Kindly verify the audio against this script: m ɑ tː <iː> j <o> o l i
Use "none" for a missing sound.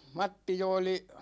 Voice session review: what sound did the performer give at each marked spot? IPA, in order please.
i, o

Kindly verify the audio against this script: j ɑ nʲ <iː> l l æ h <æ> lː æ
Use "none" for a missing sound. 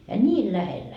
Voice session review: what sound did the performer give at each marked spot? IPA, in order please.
iː, e

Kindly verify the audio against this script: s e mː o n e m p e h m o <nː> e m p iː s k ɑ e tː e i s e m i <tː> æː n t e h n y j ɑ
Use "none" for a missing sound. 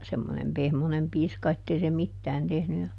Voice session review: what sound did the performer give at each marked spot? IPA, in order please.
n, tː

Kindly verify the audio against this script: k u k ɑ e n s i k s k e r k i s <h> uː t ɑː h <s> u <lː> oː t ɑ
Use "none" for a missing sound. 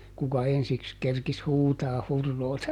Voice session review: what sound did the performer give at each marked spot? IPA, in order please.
h, h, rː

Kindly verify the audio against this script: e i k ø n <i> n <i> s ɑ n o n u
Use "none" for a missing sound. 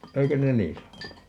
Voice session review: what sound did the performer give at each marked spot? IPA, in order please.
e, iː

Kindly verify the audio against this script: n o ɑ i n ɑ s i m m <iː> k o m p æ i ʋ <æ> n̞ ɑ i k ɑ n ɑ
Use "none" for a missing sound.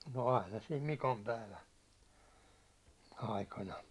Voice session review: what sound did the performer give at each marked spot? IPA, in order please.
i, æ

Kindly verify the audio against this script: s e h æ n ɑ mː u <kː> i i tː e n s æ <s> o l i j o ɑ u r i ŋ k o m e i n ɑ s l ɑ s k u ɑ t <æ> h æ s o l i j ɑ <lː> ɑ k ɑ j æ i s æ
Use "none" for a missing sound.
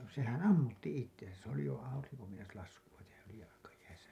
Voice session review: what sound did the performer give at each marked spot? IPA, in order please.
tː, s, e, l

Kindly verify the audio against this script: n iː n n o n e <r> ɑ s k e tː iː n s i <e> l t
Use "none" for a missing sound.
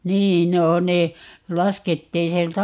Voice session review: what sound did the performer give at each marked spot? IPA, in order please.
l, e

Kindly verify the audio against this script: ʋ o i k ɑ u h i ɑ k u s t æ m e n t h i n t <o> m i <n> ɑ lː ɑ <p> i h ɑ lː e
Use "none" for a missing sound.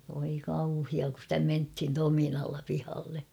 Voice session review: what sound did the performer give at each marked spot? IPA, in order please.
o, n, p

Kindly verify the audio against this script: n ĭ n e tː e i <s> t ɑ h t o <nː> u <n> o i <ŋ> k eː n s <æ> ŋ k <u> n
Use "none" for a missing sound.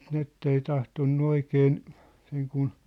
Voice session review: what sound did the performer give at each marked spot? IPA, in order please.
none, nː, none, none, e, u

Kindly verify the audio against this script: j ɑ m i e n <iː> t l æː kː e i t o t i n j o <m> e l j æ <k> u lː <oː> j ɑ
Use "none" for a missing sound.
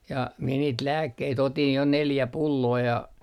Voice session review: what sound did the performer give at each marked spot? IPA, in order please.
iː, n, p, oː

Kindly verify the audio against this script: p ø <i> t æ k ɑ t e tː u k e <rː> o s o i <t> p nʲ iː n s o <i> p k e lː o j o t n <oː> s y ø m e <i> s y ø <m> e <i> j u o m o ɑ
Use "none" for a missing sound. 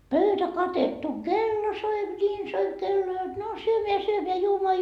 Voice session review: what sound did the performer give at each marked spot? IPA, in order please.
y, lː, none, i, o, æ, m, æ

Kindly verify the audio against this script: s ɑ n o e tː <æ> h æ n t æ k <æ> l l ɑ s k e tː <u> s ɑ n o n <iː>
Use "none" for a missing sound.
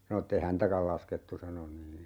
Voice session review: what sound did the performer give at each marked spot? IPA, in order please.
e, æ, u, iː

